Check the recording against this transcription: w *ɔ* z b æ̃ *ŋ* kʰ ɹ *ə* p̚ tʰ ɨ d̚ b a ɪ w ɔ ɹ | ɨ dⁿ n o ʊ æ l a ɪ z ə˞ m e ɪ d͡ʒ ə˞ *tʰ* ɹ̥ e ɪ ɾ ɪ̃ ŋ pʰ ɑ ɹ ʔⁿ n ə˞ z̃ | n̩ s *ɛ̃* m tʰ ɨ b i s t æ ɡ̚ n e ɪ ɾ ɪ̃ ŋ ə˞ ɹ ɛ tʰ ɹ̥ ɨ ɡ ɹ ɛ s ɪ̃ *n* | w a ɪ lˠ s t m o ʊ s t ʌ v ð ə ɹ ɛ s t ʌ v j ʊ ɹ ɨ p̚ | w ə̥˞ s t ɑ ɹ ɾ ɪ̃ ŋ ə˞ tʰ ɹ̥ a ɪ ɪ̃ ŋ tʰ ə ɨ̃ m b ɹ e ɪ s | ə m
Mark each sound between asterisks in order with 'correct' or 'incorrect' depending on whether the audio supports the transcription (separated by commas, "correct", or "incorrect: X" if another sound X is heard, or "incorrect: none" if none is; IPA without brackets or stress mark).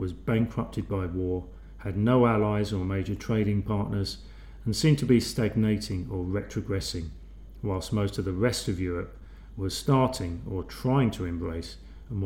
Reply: incorrect: ʌ, correct, incorrect: ʌ, correct, incorrect: ĩ, incorrect: ŋ